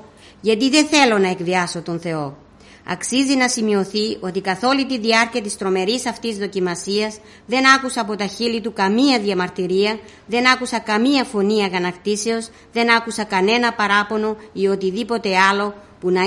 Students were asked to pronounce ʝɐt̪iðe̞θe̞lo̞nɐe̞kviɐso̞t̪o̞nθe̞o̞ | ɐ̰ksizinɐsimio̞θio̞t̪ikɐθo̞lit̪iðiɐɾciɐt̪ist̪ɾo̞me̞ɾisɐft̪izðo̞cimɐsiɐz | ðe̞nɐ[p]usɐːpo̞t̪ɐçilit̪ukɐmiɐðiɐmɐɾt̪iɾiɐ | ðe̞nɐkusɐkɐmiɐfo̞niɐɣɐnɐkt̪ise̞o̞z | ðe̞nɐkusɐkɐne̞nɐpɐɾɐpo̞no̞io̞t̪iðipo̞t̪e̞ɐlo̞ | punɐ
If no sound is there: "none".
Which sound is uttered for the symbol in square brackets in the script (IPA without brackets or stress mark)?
k